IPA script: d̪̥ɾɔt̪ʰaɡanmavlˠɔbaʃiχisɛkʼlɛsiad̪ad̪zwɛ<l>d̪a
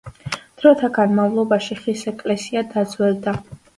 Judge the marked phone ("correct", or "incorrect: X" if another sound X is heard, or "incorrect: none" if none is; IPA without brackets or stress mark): correct